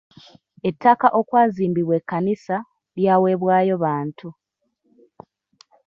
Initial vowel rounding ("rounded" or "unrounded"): unrounded